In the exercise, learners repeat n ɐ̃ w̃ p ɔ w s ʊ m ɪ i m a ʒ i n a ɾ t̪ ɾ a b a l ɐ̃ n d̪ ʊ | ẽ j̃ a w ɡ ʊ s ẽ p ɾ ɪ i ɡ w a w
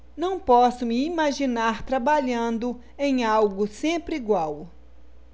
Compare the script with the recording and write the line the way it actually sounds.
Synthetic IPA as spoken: n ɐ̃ w̃ p ɔ s ʊ m ɪ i m a ʒ i n a ɾ t̪ ɾ a b a ʎ ɐ̃ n d̪ ʊ | ẽ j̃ a w ɡ ʊ s ẽ p ɾ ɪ i ɡ w a w

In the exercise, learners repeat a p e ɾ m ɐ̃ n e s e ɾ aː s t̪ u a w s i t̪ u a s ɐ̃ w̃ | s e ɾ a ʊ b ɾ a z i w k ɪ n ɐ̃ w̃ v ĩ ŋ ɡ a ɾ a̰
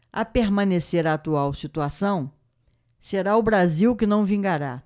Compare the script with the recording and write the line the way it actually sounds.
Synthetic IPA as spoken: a p e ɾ m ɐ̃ n e s e ɾ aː t̪ u a w s i t̪ u a s ɐ̃ w̃ | s e ɾ a ʊ b ɾ a z i w k ɪ n ɐ̃ w̃ v ĩ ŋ ɡ a ɾ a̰

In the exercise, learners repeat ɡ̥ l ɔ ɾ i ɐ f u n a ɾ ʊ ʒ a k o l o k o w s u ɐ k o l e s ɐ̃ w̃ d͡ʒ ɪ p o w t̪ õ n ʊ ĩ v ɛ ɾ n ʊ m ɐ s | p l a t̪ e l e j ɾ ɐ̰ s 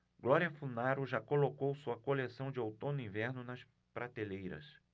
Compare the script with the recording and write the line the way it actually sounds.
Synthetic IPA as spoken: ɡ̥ l ɔ ɾ i ɐ f u n a ɾ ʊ ʒ a k o l o k o w s u ɐ k o l e s ɐ̃ w̃ d͡ʒ ɪ o w t̪ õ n ʊ ĩ v ɛ ɾ n ʊ n ɐ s | p ɾ a t̪ e l e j ɾ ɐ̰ s

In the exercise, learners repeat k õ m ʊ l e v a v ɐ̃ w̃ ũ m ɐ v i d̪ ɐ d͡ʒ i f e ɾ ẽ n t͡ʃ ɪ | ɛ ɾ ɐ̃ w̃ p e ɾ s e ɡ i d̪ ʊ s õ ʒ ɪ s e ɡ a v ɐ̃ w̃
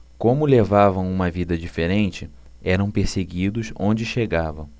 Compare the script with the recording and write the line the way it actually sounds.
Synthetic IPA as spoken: k õ m ʊ l e v a v ɐ̃ w̃ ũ m ɐ v i d̪ ɐ d͡ʒ i f e ɾ ẽ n t͡ʃ ɪ | ɛ ɾ ɐ̃ w̃ p e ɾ s e ɡ i d̪ ʊ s õ d͡ʒ ɪ ʃ e ɡ a v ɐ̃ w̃

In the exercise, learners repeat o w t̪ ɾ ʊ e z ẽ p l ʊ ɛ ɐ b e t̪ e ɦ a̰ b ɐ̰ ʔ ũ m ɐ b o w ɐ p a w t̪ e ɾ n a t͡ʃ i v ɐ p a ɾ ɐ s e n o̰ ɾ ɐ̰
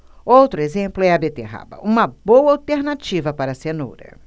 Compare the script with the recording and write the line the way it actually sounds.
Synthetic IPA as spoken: o w t̪ ɾ ʊ e z ẽ p l ʊ ɛ ɐ b e t̪ e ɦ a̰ b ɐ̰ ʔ ũ m ɐ b o w ɐ a w t̪ e ɾ n a t͡ʃ i v ɐ p a ɾ ɐ s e n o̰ ɾ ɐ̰

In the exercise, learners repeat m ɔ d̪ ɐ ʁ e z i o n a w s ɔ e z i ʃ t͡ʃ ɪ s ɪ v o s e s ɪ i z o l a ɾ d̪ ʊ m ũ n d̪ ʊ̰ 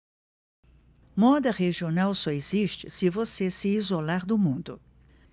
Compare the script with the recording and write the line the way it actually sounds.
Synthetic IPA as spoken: m ɔ d̪ ɐ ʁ e ʒ i o n a w s ɔ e z i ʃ t͡ʃ ɪ s ɪ v o s e s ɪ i z o l a ɾ d̪ ʊ m ũ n d̪ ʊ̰

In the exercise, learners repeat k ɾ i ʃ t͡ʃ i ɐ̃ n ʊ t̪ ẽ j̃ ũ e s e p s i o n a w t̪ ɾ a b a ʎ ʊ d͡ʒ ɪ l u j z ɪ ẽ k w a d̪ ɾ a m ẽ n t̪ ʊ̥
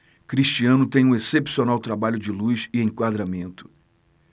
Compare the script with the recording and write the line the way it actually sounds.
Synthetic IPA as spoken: k ɾ i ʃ t͡ʃ i ɐ̃ n ʊ t̪ ẽ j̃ ũ e s e p s i o n a w t̪ ɾ a b a ʎ ʊ d͡ʒ ɪ l u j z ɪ ẽ k w a d̪ ɾ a m ẽ n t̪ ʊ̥

